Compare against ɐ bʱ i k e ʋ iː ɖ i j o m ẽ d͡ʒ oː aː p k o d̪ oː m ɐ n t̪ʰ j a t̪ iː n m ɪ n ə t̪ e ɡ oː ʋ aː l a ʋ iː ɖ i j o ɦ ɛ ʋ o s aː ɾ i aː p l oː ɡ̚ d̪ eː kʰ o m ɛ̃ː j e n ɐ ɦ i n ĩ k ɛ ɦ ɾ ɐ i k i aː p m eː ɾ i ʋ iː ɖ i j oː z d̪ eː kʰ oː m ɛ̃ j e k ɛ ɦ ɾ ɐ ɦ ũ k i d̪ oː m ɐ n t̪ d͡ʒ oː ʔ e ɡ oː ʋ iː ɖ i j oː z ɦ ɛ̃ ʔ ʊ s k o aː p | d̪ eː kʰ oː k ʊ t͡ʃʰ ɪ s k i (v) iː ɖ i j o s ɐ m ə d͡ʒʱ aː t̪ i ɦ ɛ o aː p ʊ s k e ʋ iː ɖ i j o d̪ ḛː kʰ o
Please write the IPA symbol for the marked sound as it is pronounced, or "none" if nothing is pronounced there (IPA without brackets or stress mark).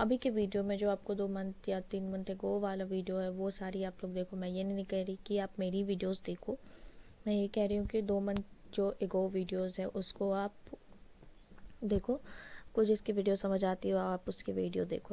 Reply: ʋ